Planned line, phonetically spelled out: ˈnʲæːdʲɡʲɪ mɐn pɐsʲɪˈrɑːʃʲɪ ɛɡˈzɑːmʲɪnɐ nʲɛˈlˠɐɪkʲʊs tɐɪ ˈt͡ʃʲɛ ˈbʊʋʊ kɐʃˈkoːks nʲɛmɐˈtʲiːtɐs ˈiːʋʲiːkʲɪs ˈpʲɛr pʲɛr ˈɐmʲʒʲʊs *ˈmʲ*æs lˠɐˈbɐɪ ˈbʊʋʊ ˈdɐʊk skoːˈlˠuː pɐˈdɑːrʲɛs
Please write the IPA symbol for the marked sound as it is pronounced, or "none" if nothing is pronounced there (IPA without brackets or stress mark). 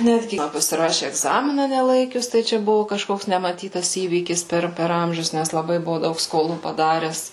nʲ